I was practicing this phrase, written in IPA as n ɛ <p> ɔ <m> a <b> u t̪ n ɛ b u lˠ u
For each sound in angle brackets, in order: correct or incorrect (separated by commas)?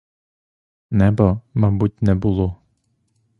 incorrect, correct, correct